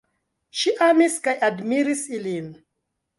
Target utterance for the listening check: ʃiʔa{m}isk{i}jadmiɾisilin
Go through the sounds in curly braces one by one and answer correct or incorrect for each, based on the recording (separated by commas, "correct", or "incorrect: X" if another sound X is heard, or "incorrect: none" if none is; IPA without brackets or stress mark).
correct, incorrect: a